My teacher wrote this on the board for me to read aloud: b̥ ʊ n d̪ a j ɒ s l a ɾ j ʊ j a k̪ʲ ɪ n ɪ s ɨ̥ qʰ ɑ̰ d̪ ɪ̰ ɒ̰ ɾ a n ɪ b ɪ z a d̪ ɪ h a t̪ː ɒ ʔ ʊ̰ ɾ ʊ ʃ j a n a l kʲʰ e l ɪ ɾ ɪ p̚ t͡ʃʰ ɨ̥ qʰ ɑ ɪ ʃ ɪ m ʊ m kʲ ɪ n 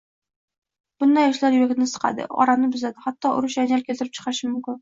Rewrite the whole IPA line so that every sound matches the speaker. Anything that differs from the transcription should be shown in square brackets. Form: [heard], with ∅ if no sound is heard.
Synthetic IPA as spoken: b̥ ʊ n d̪ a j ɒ [ʃ] l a ɾ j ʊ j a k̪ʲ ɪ n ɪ s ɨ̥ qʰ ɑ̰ d̪ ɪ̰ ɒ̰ ɾ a n ɪ b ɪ z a d̪ ɪ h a t̪ː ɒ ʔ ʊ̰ ɾ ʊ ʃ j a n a l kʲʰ e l ɪ ɾ ɪ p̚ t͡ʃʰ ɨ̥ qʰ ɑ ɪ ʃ ɪ m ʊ m kʲ ɪ n